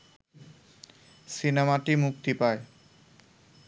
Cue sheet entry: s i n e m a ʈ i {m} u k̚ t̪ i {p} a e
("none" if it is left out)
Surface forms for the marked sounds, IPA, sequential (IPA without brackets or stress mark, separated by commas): m, p